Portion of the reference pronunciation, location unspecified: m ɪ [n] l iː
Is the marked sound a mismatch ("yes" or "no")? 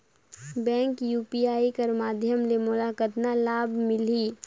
yes